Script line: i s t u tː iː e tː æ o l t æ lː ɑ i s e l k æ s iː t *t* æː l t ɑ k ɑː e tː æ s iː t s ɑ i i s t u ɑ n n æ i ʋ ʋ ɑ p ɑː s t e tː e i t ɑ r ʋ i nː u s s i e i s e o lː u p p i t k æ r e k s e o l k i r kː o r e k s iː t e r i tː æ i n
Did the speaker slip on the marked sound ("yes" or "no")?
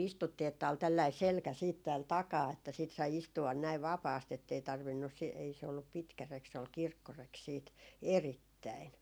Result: no